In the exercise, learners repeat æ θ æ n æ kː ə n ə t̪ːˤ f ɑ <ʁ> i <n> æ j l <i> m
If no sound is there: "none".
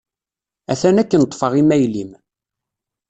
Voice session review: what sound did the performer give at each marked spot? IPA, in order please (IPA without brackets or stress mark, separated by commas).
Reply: ʁ, m, i